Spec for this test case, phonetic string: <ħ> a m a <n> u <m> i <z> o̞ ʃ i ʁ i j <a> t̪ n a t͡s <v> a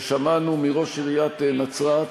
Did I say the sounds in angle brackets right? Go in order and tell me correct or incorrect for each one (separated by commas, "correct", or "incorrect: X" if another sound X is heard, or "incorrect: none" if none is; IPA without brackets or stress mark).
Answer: incorrect: ʃ, correct, correct, incorrect: ʁ, correct, incorrect: ʁ